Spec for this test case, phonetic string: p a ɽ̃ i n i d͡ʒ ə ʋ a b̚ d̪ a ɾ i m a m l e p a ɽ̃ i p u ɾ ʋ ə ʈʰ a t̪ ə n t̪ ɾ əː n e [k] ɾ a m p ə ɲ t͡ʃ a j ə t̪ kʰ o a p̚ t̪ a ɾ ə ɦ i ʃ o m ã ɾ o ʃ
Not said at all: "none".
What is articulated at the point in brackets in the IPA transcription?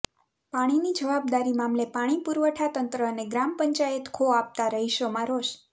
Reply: ɡ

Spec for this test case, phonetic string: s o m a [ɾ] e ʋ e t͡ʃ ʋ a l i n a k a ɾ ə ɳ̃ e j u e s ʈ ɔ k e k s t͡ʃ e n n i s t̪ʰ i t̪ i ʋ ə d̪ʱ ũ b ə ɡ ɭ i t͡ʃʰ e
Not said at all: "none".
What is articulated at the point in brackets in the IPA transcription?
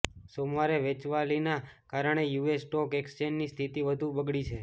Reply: ɾ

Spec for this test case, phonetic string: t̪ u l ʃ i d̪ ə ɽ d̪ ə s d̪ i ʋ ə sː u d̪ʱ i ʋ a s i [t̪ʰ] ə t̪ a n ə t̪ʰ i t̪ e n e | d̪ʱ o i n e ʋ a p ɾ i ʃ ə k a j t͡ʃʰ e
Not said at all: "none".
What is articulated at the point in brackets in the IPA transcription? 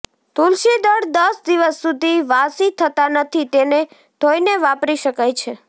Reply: t̪ʰ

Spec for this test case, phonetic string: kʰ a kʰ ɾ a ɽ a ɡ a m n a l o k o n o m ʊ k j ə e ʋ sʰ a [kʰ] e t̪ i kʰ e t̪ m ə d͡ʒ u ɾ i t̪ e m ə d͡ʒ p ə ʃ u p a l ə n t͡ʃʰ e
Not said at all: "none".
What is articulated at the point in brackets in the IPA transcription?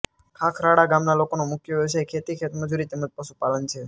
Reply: kʰ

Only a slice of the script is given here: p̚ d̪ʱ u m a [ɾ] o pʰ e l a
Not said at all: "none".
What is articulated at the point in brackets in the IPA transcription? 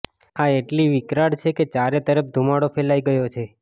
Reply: ɽ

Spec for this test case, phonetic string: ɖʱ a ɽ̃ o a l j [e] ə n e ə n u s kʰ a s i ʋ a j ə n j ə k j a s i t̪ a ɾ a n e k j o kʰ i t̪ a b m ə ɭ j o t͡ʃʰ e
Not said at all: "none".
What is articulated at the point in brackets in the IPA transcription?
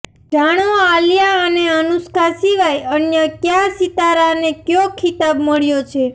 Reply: a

